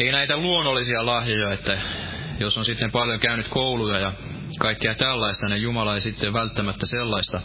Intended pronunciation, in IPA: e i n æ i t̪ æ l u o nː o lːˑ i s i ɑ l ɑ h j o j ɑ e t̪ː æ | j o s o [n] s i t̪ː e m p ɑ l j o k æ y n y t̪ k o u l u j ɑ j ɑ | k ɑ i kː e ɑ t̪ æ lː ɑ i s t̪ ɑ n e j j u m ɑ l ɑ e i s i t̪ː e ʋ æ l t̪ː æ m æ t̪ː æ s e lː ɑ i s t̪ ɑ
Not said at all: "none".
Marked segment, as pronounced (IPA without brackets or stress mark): n